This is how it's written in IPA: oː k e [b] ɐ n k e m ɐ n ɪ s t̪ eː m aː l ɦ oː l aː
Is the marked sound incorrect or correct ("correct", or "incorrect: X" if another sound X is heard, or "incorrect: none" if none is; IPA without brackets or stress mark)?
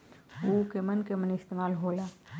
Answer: incorrect: m